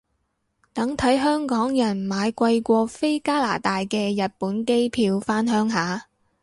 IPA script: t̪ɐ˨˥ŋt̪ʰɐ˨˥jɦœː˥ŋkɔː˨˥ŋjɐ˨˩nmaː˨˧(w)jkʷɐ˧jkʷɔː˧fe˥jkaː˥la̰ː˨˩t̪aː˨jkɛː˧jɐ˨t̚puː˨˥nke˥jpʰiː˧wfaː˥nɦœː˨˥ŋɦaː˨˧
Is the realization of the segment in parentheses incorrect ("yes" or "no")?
yes